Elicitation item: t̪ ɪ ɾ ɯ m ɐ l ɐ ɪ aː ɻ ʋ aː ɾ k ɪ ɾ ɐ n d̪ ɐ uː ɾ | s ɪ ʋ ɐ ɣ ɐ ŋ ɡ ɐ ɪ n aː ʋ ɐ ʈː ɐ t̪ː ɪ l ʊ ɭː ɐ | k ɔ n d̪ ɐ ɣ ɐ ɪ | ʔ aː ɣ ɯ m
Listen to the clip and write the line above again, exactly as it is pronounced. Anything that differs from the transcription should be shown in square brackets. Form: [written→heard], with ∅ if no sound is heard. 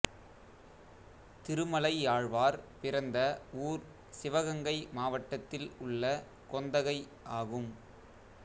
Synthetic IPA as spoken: t̪ ɪ ɾ ɯ m ɐ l ɐ ɪ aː ɻ ʋ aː ɾ [k→p] ɪ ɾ ɐ n d̪ ɐ uː ɾ | s ɪ ʋ ɐ ɣ ɐ ŋ ɡ ɐ ɪ [n→m] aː ʋ ɐ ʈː ɐ t̪ː ɪ l ʊ ɭː ɐ | k ɔ n d̪ ɐ ɣ ɐ ɪ | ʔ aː ɣ ɯ m